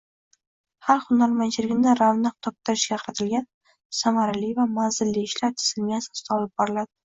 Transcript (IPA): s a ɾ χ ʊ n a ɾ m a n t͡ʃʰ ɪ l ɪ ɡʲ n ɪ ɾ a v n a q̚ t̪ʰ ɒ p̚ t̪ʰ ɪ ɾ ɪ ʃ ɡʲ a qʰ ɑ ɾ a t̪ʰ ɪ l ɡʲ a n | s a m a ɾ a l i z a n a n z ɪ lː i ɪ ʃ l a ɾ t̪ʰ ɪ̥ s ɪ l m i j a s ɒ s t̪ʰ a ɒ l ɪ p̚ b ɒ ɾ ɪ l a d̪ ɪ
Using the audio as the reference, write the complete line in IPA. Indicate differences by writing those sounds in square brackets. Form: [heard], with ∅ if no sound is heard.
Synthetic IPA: [h] a ɾ χ ʊ n a ɾ m a n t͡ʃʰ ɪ l ɪ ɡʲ n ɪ ɾ a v n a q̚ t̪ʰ ɒ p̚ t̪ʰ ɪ ɾ ɪ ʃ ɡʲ a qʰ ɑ ɾ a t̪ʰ ɪ l ɡʲ a n | s a m a ɾ a l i [v] a [m] a n z ɪ lː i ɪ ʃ l a ɾ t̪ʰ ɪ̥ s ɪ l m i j a s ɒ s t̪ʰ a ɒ l ɪ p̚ b ɒ ɾ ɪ l a d̪ ɪ